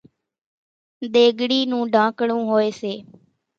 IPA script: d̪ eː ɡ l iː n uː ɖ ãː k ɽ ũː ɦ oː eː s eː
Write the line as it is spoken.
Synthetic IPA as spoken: d̪ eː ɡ ɽ iː n ũː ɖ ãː k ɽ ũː ɦ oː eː s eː

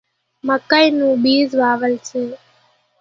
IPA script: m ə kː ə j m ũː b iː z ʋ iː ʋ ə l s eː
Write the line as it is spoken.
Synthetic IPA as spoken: m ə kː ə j n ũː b iː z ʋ aː ʋ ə l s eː

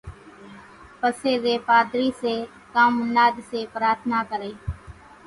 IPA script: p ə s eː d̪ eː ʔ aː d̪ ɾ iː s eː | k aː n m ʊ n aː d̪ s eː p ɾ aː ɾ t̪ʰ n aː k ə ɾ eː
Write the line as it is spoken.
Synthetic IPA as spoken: p ə s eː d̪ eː p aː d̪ ɾ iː s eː | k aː m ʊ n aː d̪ s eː p ɾ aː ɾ t̪ʰ n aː k ə ɾ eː

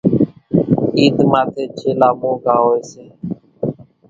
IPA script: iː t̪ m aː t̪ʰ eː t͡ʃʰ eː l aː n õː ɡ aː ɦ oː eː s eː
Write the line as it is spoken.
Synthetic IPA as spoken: iː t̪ m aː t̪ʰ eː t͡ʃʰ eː l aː m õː ɡ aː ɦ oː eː s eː

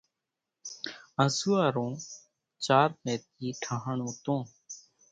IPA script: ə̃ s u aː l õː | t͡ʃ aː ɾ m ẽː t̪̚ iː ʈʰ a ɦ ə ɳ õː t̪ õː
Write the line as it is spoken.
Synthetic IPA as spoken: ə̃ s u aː ɾ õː | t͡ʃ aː ɾ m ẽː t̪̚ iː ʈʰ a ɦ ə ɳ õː t̪ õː

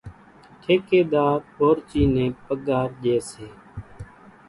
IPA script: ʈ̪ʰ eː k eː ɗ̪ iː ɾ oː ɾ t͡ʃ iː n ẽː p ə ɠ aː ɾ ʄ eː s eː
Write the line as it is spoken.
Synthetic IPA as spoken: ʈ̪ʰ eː k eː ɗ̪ aː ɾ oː ɾ t͡ʃ iː n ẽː p ə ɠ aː ɾ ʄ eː s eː

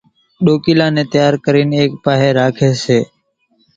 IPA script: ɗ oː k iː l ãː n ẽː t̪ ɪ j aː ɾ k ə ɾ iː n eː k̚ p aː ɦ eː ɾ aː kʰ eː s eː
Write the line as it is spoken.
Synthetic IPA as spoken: ɗ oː k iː l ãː n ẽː t̪ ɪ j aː ɾ k ə ɾ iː n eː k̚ p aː ɦ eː ɾ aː kʰ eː s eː

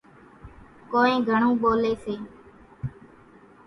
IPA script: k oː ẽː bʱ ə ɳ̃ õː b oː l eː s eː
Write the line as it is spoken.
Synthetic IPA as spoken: k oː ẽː ɡʱ ə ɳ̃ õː ɓ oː l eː s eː

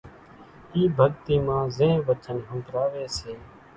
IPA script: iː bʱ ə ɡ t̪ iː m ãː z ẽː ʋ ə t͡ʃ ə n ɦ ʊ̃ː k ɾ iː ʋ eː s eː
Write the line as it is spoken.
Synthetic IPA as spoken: iː bʱ ə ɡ t̪ iː m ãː z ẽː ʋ ə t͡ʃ ə n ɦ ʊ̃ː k ɾ aː ʋ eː s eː

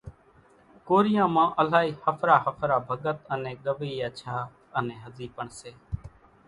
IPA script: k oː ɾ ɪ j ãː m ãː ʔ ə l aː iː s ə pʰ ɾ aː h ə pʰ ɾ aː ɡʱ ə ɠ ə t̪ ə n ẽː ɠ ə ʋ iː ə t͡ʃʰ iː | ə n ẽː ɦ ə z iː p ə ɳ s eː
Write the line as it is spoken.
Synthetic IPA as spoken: k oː ɾ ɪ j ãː m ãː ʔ ə l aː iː h ə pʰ ɾ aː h ə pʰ ɾ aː bʱ ə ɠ ə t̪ ə n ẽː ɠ ə ʋ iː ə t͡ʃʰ aː | ə n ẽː ɦ ə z iː p ə ɳ s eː

